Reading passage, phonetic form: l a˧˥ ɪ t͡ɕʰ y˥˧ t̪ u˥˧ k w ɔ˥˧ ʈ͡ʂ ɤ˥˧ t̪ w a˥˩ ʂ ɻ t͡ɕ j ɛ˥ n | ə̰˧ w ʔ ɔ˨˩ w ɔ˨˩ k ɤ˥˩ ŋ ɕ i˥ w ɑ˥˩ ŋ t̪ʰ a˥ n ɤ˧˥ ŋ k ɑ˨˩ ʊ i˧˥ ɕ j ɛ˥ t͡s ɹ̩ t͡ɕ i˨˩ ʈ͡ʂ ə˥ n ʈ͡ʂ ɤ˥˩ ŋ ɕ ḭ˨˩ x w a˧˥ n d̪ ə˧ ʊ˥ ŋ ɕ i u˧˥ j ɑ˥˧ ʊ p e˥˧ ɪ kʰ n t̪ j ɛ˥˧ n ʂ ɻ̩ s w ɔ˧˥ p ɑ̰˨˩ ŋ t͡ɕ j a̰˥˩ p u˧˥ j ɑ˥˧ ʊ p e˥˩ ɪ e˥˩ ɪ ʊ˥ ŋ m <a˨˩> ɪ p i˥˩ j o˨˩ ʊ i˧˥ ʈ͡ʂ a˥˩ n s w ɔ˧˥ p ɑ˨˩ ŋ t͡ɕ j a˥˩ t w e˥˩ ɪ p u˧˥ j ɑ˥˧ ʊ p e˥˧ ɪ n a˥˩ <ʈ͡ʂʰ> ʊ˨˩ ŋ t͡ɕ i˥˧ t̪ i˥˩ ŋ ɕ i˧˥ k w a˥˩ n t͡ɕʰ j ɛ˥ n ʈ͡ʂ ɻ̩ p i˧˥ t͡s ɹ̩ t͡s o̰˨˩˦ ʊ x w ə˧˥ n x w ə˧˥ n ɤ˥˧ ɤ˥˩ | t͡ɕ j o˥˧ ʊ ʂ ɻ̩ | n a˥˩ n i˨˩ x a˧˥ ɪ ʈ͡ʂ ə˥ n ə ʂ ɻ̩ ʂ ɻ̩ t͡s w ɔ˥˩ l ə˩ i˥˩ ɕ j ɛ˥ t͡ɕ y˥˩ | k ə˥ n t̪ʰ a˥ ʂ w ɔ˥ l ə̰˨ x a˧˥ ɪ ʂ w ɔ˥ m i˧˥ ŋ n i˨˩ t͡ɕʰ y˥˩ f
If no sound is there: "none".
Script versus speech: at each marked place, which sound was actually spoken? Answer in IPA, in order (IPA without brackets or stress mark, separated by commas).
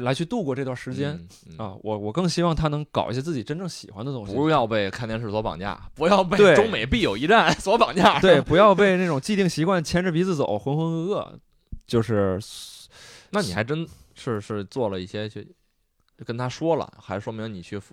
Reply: e˨˩, ʈ͡ʂ